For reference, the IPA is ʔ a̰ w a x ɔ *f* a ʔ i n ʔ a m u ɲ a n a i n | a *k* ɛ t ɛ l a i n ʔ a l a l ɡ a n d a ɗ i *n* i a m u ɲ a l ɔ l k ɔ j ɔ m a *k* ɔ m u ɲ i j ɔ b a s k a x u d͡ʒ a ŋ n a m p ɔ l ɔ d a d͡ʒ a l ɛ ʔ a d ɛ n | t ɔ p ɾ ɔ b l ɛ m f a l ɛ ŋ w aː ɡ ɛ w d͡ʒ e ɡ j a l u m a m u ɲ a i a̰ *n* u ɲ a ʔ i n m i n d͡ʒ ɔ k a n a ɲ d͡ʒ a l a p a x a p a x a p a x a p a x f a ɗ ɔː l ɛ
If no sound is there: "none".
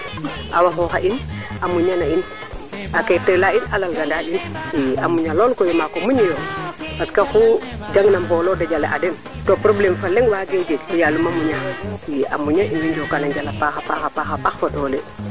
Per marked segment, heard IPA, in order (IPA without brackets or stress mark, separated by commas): x, k, n, k, m